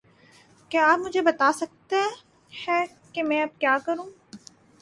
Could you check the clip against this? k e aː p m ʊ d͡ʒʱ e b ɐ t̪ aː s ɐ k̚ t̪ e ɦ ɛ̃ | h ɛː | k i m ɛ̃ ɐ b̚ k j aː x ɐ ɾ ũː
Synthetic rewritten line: k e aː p m ʊ d͡ʒʱ e b ɐ t̪ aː s ɐ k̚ t̪ e ɦ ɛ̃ | h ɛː | k e m ɛ̃ ɐ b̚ k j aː k ɐ ɾ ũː